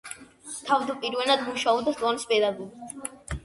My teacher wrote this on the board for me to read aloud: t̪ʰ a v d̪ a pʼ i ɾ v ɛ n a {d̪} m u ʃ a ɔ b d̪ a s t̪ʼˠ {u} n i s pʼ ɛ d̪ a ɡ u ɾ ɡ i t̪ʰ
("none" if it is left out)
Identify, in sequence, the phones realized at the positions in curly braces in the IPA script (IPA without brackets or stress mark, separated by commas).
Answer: d̪, ɔ